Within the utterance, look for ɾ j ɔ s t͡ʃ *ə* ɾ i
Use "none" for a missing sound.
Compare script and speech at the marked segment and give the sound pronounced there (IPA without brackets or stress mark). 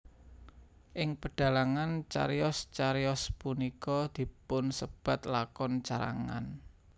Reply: a